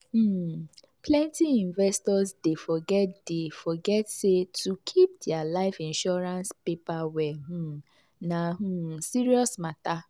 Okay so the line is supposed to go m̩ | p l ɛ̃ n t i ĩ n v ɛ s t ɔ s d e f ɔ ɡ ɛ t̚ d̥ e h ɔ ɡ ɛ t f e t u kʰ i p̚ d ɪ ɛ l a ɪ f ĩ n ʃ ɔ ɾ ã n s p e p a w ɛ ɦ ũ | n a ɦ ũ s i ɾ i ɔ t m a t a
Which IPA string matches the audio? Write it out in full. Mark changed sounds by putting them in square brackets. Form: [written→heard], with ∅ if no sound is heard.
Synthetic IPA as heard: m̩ | p l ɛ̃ n t i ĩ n v ɛ s t ɔ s d e f ɔ ɡ ɛ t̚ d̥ e [h→f] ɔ ɡ ɛ t [f→s] e t u kʰ i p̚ d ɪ [ɛ→a] l a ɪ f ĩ n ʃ ɔ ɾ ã n s p e p a w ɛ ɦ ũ | n a ɦ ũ s i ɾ i ɔ [t→s] m a t a